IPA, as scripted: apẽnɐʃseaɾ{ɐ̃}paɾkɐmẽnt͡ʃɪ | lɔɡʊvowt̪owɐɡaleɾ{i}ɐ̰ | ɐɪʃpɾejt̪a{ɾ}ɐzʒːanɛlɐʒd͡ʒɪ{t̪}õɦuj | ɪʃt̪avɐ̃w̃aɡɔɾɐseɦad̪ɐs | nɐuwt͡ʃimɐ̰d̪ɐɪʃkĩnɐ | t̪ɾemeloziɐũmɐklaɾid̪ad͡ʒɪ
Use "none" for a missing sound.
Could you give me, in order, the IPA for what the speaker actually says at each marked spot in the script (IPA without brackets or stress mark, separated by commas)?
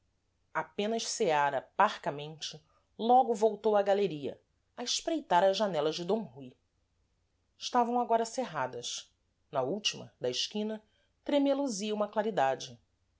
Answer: ɐ, i, ɾ, d̪